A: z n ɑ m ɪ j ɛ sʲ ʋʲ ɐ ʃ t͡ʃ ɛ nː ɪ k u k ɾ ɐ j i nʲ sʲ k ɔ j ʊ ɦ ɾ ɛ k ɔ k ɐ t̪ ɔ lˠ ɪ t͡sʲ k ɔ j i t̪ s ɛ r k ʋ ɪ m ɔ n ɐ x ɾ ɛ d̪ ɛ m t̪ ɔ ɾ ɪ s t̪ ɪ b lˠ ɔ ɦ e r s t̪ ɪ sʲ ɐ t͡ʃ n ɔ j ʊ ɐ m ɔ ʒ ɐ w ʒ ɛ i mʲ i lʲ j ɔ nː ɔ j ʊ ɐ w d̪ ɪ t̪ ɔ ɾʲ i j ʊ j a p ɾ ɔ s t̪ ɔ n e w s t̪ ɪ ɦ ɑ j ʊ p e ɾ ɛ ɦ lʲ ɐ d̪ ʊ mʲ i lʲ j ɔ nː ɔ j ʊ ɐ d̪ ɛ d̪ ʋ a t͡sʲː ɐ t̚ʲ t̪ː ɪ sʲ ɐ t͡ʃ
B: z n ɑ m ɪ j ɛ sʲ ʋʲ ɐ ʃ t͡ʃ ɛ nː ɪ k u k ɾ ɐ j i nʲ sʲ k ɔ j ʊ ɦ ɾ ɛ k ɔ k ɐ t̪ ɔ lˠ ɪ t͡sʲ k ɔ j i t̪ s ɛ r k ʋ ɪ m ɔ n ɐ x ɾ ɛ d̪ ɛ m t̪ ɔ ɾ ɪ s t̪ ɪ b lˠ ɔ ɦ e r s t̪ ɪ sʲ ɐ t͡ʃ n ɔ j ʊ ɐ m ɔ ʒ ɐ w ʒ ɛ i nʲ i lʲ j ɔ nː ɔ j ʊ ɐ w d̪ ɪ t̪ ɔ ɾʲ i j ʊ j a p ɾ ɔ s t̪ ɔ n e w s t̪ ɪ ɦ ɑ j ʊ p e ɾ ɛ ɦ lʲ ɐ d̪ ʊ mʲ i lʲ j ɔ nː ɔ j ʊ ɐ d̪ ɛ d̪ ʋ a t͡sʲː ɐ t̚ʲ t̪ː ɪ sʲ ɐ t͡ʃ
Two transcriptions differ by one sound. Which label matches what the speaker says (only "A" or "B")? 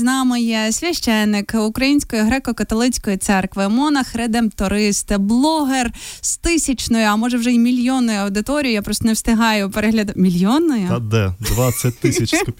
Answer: A